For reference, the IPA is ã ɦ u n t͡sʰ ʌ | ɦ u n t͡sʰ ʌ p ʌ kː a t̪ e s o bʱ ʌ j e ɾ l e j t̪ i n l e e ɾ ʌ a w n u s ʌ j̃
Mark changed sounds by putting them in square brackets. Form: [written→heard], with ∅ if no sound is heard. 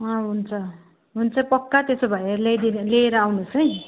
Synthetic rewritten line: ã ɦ u n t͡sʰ ʌ | ɦ u n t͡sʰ ʌ p ʌ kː a t̪ e s o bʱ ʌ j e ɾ l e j [t̪→d̪] i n l e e ɾ ʌ a w n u s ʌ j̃

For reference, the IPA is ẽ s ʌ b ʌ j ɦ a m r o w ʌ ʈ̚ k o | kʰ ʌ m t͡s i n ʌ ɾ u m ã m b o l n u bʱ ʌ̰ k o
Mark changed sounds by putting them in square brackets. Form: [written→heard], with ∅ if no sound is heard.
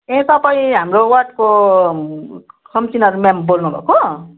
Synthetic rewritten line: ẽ s ʌ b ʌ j ɦ a m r o w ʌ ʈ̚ k o | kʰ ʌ m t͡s i n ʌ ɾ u m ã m b o l n u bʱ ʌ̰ k o

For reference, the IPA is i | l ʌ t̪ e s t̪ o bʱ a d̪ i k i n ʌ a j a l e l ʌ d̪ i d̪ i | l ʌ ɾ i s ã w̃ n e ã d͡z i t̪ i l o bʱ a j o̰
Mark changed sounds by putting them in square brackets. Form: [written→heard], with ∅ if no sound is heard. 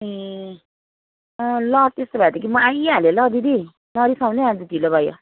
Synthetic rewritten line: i | l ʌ t̪ e s t̪ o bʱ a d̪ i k i [n→m] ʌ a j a l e l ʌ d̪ i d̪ i | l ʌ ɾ i s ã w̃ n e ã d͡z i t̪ i l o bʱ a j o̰

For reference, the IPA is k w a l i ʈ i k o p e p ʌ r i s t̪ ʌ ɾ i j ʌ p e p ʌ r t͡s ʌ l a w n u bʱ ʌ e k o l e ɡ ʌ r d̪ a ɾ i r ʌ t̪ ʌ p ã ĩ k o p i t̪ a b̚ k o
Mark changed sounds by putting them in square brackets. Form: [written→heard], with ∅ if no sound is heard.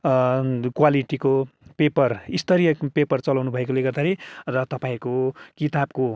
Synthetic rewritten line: k w a l i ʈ i k o p e p ʌ r i s t̪ ʌ ɾ i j ʌ p e p ʌ r t͡s ʌ l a w n u bʱ ʌ e k o l e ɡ ʌ r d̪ a ɾ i r ʌ t̪ ʌ p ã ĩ k o [p→k] i t̪ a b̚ k o

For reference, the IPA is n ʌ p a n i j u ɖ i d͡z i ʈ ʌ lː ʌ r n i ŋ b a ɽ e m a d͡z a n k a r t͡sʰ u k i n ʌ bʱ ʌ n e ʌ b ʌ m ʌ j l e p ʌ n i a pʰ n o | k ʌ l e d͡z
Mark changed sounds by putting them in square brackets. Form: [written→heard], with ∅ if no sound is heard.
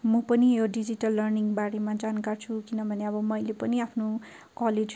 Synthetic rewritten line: [n→m] ʌ p [a→ʌ] n i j [u→o] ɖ i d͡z i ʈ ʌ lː ʌ r n i ŋ b a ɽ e m a d͡z a n k a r t͡sʰ u k i n ʌ bʱ ʌ n e ʌ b ʌ m ʌ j l e p ʌ n i a pʰ n o | k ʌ l e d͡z

